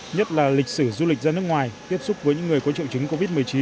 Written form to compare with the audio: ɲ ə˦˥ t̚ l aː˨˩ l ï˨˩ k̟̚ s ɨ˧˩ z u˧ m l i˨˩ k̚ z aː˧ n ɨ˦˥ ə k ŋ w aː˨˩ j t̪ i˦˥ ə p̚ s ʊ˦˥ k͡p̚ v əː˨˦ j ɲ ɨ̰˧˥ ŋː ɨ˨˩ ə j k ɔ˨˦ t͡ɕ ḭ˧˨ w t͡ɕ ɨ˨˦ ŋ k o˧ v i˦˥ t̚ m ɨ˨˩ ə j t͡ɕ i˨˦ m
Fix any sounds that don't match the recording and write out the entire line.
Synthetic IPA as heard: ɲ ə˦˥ t̚ l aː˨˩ l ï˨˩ k̟̚ s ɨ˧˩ z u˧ l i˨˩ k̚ z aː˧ n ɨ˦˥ ə k ŋ w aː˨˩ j t̪ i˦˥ ə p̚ s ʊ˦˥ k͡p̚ v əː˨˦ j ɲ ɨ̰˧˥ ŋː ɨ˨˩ ə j k ɔ˨˦ t͡ɕ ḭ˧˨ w t͡ɕ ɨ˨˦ ŋ k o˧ v i˦˥ t̚ m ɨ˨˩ ə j t͡ɕ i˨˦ n